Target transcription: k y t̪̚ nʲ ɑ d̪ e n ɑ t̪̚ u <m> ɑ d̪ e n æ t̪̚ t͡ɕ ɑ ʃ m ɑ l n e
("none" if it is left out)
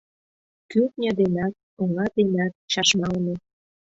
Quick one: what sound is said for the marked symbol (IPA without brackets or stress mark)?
ŋ